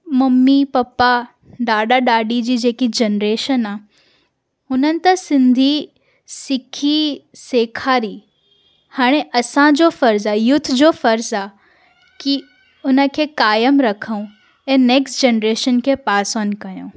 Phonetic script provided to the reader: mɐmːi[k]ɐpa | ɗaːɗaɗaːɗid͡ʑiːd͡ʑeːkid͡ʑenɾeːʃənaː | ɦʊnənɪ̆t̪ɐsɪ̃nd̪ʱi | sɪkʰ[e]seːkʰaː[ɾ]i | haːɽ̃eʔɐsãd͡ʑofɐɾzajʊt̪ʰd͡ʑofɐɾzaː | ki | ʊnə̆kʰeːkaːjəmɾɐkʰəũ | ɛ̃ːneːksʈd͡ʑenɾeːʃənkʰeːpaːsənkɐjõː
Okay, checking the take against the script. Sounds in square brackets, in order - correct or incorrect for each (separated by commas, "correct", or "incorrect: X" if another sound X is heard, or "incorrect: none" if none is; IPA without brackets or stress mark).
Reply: incorrect: p, incorrect: i, correct